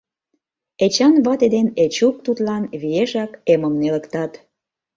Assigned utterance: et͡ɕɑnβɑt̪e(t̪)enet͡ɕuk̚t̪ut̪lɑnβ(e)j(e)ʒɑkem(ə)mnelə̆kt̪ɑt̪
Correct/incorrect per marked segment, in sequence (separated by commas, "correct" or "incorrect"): incorrect, incorrect, correct, correct